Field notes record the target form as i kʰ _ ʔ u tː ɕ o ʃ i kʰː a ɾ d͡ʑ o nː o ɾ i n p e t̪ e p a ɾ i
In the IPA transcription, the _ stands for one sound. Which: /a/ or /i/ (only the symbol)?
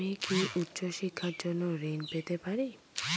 i